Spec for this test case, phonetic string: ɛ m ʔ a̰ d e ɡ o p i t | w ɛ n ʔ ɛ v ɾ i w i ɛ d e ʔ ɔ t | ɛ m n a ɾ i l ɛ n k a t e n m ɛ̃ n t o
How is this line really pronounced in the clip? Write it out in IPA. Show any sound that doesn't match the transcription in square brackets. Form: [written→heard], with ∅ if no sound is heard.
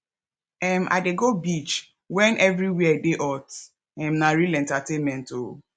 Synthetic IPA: ɛ m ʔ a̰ d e ɡ o [p→b] i [t→t͡ʃ] | w ɛ n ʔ ɛ v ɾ i w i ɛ d e ʔ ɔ t | ɛ m n a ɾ i l ɛ n [k→t] a t e n m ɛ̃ n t o